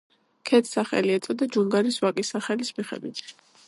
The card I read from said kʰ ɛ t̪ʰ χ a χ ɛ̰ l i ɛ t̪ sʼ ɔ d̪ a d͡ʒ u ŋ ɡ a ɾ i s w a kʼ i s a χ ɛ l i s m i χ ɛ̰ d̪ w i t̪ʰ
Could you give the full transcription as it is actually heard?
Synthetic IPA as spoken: kʰ ɛ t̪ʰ s a χ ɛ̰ l i ɛ t̪ sʼ ɔ d̪ a d͡ʒ u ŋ ɡ a ɾ i s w a kʼ i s a χ ɛ l i s m i χ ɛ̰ d̪ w i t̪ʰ